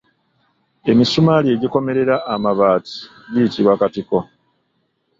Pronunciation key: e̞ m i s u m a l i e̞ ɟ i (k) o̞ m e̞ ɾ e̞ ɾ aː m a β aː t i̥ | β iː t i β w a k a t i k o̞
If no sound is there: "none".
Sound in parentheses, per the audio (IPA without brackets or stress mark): k